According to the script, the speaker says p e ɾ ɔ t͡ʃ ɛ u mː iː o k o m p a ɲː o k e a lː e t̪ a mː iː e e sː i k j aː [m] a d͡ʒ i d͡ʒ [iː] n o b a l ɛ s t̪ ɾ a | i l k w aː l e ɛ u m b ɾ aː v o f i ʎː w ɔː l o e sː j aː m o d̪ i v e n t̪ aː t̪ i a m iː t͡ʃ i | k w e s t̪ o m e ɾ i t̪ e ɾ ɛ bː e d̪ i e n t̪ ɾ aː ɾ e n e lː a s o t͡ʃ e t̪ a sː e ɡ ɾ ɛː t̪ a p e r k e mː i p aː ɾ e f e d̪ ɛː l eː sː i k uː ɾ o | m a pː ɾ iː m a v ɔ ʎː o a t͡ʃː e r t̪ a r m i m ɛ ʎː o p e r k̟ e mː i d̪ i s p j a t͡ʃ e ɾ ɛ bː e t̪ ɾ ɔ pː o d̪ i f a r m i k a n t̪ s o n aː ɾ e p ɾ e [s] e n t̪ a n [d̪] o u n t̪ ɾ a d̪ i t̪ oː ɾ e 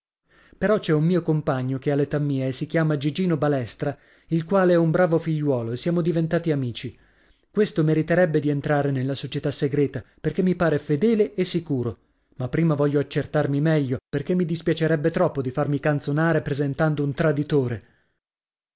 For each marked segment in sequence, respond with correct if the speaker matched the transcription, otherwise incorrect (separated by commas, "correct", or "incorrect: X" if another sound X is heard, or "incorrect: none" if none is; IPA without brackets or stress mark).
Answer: correct, correct, incorrect: z, correct